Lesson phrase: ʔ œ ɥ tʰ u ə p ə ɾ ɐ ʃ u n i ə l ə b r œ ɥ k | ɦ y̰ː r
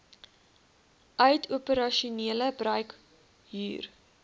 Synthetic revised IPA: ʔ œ ɥ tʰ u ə p ə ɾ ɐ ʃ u n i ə l ə b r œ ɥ k | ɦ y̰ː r